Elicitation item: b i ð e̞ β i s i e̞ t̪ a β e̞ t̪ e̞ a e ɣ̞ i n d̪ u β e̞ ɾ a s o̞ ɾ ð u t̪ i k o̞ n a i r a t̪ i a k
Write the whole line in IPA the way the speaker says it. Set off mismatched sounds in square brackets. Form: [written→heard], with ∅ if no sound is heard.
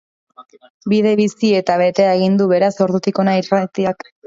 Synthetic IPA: b i ð e̞ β i s i e̞ t̪ a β e̞ t̪ e̞ a e ɣ̞ i n d̪ u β e̞ ɾ a s o̞ ɾ ð u t̪ i k o̞ n a i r a t̪ i a k